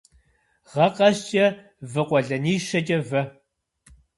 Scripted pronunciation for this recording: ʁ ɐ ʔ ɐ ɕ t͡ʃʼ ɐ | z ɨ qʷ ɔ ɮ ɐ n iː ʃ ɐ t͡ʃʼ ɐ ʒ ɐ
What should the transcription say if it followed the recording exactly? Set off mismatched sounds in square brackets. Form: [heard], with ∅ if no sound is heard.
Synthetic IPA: ʁ ɐ [q] ɐ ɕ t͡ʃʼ ɐ | [v] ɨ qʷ ɔ ɮ ɐ n iː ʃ ɐ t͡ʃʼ ɐ [v] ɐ